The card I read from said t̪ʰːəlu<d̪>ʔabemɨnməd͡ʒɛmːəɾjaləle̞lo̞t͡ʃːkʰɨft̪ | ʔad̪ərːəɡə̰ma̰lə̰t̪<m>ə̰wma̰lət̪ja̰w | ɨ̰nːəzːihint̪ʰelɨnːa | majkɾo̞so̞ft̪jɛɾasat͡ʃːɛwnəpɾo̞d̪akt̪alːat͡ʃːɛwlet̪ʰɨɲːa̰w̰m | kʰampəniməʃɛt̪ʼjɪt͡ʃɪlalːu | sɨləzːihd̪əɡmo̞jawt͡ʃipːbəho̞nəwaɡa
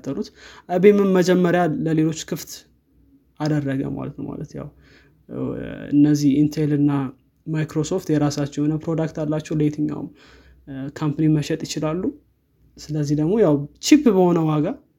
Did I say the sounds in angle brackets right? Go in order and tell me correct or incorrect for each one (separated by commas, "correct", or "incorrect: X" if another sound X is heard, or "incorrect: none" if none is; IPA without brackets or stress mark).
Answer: incorrect: t̪, incorrect: n